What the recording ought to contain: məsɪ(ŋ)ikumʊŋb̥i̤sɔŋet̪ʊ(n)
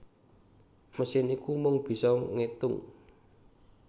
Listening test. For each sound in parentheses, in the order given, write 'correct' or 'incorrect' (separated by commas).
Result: incorrect, incorrect